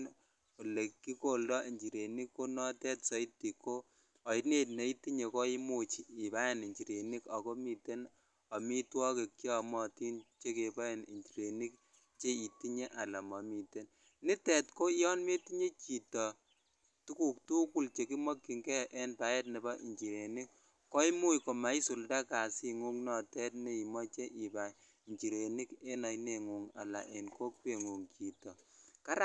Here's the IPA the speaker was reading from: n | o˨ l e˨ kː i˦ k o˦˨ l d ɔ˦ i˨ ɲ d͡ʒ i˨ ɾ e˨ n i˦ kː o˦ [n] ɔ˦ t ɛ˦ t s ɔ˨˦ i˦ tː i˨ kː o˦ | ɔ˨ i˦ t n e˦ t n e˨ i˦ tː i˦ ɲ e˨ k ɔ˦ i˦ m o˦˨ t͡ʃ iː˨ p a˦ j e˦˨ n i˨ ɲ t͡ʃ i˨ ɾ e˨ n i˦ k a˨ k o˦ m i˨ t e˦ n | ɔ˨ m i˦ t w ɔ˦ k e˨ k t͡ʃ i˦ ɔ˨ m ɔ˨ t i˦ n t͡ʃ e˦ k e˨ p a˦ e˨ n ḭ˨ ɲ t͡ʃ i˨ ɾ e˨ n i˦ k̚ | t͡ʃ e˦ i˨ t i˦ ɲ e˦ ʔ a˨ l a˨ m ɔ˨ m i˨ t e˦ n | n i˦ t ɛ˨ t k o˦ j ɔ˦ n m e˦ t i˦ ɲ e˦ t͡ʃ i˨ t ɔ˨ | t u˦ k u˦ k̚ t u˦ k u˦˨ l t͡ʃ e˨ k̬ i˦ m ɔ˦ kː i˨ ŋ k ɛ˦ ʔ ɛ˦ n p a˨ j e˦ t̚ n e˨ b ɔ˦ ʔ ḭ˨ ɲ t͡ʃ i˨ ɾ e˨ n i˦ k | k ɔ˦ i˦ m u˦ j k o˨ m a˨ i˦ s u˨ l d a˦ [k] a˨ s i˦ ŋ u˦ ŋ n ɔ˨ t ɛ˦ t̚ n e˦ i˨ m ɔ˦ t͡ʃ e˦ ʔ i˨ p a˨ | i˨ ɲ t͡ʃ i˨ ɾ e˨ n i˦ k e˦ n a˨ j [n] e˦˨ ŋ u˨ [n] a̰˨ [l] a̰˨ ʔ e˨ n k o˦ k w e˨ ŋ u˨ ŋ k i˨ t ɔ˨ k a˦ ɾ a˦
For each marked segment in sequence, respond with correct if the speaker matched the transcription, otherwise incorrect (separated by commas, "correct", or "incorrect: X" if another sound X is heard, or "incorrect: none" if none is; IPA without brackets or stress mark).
correct, correct, correct, incorrect: ŋ, correct